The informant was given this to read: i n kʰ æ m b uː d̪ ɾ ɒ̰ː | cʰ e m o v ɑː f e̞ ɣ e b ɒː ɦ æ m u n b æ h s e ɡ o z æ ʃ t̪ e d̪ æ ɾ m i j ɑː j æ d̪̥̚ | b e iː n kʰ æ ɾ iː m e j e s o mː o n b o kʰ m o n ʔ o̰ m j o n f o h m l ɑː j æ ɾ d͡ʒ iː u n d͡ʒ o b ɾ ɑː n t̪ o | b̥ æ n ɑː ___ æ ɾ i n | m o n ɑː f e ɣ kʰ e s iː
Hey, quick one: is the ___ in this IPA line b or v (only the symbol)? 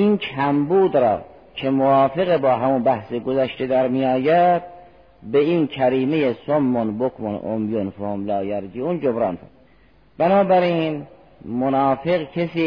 b